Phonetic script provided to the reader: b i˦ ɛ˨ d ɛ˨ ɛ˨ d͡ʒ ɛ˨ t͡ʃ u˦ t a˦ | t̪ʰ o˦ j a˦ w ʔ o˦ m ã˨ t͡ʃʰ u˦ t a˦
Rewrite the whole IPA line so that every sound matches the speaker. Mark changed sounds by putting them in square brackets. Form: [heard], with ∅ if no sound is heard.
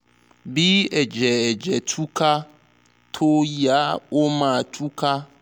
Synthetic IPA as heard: b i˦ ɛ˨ [d͡ʒ] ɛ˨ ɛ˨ d͡ʒ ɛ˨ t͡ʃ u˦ [k] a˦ | t̪ʰ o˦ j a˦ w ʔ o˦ m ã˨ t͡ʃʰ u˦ [k] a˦